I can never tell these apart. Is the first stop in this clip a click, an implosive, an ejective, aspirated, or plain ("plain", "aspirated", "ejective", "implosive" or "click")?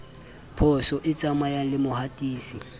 aspirated